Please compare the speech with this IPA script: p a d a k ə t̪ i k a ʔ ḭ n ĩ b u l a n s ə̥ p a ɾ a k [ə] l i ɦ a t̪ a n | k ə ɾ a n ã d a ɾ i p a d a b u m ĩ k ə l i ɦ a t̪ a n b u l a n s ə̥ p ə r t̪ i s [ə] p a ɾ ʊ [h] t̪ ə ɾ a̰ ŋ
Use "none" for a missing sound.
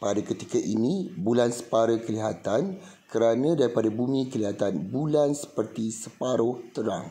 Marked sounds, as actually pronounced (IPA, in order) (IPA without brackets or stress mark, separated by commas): ə, ə, h